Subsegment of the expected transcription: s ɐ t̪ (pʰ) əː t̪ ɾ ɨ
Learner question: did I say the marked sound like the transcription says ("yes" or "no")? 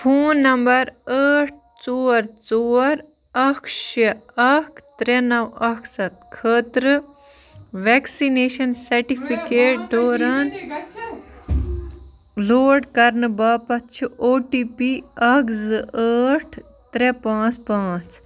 no